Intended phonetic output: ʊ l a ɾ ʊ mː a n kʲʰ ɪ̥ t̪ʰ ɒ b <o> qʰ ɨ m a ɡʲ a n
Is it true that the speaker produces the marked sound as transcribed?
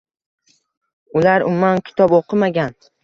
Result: yes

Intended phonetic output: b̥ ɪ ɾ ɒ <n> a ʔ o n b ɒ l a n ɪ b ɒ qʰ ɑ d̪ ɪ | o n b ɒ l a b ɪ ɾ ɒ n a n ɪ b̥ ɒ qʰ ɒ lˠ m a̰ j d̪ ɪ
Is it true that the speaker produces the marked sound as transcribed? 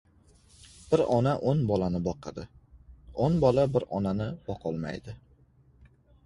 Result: yes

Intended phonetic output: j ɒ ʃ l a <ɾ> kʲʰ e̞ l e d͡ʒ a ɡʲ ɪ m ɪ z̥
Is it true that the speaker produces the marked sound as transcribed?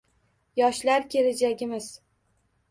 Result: yes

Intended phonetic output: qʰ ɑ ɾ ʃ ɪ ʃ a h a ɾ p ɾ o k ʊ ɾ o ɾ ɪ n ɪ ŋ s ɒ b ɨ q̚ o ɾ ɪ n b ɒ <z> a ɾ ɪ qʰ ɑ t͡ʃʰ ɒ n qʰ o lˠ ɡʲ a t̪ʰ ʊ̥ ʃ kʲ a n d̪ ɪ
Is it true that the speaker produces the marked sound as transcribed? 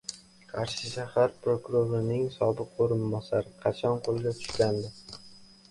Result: no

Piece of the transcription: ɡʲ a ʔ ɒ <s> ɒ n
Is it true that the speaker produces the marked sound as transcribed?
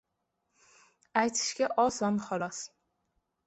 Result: yes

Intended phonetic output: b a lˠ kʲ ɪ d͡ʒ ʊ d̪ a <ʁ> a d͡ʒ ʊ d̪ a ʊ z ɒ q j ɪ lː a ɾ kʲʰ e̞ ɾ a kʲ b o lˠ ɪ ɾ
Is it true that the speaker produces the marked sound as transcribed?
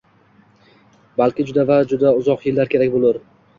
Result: no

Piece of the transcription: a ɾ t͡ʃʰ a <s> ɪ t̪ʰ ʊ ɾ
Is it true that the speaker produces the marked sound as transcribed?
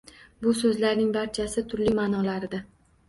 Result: yes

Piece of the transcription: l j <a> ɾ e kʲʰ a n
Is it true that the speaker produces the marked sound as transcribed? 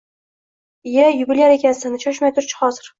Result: yes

